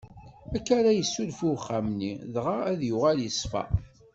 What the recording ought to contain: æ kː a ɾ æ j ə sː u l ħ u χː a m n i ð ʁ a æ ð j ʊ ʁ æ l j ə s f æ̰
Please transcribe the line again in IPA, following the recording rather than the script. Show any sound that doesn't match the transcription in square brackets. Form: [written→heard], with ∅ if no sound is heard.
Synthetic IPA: æ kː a ɾ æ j ə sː u l [ħ→f] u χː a m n i ð ʁ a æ ð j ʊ ʁ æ l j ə s f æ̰

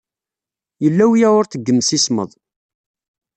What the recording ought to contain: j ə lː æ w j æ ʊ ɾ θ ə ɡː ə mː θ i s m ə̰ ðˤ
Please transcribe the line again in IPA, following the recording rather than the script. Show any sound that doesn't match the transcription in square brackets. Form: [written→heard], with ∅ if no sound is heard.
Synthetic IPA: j ə lː æ w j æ ʊ ɾ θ ə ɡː ə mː [θ→s] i s m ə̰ ðˤ

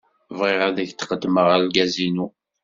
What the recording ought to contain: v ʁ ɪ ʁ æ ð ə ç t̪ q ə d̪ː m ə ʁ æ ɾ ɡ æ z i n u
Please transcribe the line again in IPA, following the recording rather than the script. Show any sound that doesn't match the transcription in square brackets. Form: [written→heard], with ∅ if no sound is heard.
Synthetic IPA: v ʁ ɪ ʁ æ ð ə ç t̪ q ə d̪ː m ə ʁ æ [ɾ→l] ɡ æ z i n u

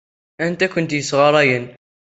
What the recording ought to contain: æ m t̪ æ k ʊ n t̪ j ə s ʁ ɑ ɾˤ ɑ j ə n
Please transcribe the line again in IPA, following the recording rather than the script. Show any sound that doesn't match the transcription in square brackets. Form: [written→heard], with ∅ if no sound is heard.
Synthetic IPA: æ [m→n] t̪ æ k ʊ n t̪ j ə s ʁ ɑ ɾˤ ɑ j ə n

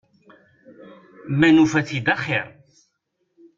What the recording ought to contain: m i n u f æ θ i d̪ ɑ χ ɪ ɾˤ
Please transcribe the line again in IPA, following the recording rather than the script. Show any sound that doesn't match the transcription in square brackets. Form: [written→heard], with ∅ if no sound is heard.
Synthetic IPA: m [i→æ] n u f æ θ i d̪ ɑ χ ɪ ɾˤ

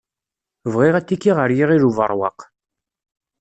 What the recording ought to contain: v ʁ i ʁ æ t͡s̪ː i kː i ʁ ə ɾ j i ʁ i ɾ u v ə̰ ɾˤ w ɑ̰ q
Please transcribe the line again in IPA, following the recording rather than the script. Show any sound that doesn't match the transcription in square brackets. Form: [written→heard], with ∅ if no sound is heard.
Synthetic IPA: v ʁ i ʁ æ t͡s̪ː i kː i ʁ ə ɾ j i ʁ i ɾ u v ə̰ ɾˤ w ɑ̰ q

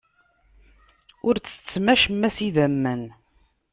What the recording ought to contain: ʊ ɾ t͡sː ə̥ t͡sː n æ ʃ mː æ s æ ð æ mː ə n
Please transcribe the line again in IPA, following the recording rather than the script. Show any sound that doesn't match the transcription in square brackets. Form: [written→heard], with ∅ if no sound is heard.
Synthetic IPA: ʊ ɾ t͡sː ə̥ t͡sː [n→m] æ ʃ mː æ s [æ→i] ð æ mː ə n

